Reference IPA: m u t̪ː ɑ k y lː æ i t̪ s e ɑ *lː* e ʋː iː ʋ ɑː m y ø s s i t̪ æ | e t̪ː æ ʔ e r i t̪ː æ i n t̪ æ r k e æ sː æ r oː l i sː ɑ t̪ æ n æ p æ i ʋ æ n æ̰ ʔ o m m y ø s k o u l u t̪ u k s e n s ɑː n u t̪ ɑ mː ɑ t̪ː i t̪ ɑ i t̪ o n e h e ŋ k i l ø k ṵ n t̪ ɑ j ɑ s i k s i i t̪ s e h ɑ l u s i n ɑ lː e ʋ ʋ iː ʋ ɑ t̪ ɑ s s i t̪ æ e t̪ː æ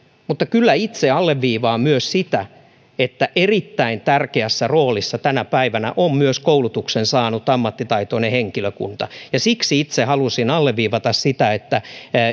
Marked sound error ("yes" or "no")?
no